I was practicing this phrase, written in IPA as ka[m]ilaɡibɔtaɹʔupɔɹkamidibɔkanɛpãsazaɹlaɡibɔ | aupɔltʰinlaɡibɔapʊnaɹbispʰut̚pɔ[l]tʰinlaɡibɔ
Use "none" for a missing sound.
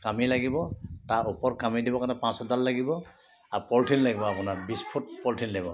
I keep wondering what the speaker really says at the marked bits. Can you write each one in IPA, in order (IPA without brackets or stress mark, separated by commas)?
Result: m, l